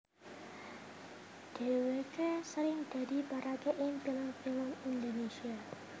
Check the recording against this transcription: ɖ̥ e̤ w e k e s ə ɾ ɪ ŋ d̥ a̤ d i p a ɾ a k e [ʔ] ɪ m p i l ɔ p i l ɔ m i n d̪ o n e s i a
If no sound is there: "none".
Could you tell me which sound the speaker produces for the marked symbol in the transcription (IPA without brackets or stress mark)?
ʔ